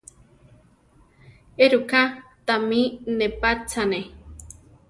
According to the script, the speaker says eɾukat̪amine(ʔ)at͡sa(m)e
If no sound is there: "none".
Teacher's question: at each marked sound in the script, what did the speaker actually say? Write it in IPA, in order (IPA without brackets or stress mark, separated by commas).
p, n